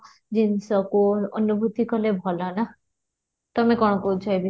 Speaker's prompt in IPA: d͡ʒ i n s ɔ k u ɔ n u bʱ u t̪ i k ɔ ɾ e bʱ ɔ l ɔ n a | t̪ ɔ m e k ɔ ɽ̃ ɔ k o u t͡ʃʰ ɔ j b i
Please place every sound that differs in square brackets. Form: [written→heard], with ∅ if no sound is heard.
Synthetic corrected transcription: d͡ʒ i n s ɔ k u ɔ n u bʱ u t̪ i k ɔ [ɾ→l] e bʱ ɔ l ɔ n a | t̪ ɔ m e k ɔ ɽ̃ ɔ k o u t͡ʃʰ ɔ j b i